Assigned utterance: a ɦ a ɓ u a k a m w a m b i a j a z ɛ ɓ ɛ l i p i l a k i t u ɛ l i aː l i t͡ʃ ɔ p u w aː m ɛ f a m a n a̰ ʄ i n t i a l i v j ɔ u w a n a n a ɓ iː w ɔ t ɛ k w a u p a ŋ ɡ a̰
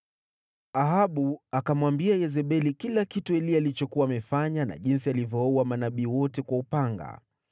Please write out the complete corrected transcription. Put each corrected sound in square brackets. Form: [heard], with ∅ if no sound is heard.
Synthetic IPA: a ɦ a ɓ u a k a m w a m b i a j [ɛ] z ɛ ɓ ɛ l i [k] i l a k i t u ɛ l i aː l i t͡ʃ ɔ [k] u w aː m ɛ f a [ɲ] a n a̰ ʄ i n [s] i a l i v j ɔ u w a [m] a n a ɓ iː w ɔ t ɛ k w a u p a ŋ ɡ a̰